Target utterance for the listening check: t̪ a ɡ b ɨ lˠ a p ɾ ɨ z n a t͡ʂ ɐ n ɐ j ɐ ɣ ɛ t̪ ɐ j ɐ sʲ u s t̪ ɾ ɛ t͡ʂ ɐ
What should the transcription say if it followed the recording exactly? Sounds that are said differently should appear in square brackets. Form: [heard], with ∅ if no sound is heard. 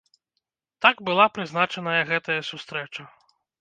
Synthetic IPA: t̪ a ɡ b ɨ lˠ a p ɾ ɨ z n a t͡ʂ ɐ n ɐ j ɐ ɣ ɛ t̪ ɐ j ɐ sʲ u s t̪ ɾ ɛ t͡ʂ ɐ